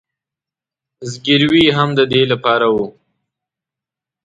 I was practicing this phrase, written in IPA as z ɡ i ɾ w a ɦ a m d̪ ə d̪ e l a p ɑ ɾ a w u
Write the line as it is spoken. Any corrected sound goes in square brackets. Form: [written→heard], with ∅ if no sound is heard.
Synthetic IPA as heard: z ɡ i ɾ w [a→i] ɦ a m d̪ ə d̪ e l a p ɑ ɾ a w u